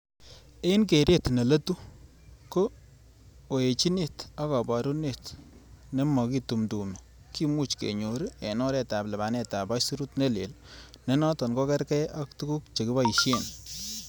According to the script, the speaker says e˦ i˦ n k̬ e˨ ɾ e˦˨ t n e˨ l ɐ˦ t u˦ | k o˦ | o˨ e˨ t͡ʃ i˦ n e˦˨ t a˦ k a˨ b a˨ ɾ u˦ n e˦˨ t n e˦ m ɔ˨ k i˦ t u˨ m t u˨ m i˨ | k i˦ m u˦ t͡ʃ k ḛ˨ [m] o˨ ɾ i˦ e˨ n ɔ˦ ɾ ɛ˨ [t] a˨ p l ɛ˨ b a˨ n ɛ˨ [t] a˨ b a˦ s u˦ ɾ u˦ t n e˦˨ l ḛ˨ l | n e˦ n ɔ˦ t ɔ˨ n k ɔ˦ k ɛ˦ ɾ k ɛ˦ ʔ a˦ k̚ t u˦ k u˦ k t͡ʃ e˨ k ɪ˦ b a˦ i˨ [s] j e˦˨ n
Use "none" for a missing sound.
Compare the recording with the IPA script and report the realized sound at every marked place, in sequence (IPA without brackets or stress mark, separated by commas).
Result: ɲ, t, t, ʃ